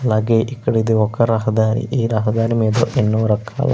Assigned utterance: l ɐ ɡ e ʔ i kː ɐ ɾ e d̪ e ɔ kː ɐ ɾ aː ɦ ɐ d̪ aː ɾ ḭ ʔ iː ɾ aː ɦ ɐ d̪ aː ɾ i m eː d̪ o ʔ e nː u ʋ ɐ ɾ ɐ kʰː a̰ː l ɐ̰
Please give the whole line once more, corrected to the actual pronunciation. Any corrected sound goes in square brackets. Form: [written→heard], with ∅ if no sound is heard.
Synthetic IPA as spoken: l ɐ ɡ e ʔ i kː ɐ [ɾ→ɽ] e d̪ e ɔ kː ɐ ɾ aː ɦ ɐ d̪ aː ɾ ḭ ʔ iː ɾ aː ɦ ɐ d̪ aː ɾ i m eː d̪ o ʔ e nː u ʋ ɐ ɾ ɐ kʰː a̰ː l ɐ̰